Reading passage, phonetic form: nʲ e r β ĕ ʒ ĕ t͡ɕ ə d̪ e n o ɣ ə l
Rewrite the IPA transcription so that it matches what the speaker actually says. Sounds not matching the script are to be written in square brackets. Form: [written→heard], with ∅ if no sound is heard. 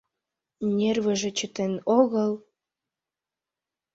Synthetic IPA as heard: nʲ e r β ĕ ʒ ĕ t͡ɕ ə [d̪→t̪] e n o ɣ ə l